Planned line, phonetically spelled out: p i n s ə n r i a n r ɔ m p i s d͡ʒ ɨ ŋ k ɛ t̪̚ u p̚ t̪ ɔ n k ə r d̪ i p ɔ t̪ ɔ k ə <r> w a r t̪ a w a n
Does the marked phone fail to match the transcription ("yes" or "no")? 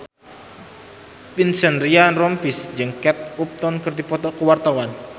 yes